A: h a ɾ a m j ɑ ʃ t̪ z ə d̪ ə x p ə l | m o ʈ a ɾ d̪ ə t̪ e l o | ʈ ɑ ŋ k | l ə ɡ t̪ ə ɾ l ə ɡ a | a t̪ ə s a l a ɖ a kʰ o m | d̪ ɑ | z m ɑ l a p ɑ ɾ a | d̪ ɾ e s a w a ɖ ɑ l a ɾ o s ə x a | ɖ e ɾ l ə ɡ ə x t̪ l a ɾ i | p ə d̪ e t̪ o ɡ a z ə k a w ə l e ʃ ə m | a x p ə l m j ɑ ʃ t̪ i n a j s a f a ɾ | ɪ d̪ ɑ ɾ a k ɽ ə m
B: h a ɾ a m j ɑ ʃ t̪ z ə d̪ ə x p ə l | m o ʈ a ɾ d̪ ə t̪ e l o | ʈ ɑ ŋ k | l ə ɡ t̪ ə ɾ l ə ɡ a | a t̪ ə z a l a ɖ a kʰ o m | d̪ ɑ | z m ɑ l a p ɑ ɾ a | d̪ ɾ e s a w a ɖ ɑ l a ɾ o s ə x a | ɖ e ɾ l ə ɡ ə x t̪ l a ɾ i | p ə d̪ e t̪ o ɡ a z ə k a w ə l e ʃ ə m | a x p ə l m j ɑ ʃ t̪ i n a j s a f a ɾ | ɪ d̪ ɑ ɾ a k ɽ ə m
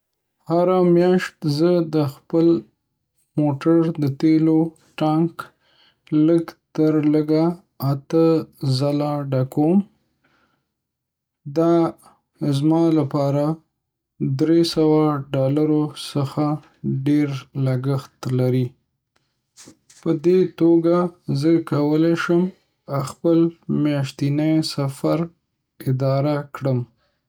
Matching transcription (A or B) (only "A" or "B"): B